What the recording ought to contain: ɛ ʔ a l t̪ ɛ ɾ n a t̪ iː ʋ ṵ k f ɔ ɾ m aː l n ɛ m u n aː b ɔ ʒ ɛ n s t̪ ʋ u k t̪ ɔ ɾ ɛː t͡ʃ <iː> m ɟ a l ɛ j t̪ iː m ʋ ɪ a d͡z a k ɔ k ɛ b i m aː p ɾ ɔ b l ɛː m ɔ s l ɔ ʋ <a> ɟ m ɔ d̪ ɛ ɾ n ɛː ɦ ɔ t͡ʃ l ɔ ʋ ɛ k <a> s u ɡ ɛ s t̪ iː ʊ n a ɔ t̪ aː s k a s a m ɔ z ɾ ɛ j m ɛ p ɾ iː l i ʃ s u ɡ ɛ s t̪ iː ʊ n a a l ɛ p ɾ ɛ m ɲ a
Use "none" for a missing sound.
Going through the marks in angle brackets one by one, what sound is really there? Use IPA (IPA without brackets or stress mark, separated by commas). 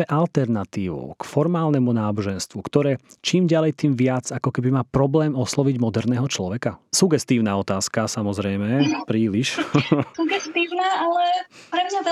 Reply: iː, i, a